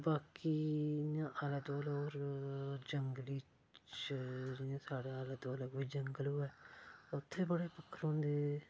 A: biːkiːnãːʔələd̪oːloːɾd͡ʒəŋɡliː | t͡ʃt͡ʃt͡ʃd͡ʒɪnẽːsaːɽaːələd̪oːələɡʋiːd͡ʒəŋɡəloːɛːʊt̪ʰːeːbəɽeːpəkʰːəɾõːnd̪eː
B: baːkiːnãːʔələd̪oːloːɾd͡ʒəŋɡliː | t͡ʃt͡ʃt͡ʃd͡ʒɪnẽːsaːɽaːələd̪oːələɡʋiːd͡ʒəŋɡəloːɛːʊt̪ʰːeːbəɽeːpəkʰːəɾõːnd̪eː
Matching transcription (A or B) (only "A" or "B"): B